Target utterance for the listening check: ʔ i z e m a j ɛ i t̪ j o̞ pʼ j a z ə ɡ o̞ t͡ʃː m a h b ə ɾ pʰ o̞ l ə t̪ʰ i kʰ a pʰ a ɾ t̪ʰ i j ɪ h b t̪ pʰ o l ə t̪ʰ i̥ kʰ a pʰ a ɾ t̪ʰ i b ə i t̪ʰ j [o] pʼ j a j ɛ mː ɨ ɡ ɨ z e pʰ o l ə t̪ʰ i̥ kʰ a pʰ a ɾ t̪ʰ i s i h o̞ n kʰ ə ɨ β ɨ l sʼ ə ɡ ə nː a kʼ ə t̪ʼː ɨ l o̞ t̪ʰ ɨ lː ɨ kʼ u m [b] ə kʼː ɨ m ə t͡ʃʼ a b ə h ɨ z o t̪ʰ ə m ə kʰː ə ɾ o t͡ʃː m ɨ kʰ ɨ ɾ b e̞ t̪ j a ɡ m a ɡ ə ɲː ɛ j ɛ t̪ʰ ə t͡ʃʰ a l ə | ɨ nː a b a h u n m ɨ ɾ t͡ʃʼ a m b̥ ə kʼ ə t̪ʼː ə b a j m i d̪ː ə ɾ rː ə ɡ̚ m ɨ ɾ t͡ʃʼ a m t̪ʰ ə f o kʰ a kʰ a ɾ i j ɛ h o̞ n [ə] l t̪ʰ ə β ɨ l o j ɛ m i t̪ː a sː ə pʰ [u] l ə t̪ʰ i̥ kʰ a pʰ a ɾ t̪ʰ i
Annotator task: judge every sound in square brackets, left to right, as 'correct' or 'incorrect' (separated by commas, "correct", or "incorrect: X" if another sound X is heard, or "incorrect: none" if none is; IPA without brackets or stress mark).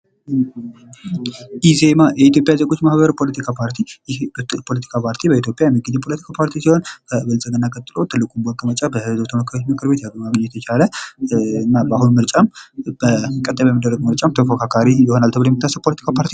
correct, correct, incorrect: a, incorrect: o